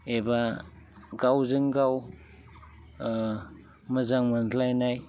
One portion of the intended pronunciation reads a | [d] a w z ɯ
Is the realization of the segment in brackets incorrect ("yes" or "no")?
yes